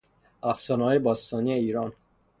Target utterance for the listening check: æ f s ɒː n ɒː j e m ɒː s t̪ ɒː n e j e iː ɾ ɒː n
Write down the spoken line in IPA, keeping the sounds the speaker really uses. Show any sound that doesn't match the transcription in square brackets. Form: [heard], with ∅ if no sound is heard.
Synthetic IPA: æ f s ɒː n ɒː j e [b] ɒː s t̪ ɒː n [i] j e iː ɾ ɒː n